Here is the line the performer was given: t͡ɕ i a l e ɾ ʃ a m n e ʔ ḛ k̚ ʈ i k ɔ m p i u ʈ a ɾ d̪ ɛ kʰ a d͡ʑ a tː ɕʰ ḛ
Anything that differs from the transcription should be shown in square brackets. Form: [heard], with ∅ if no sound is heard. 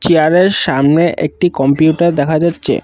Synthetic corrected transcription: t͡ɕ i a [ɾ] e ɾ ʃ a m n e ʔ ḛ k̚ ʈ i k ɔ m p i u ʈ a ɾ d̪ ɛ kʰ a d͡ʑ a tː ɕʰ ḛ